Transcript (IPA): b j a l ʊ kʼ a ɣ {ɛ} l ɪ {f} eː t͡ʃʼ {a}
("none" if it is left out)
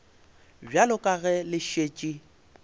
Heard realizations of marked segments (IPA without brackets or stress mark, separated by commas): ɛ, ʃ, i